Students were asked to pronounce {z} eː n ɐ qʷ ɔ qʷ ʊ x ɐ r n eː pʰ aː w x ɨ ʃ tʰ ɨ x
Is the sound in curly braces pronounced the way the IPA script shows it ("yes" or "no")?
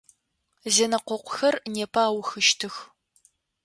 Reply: yes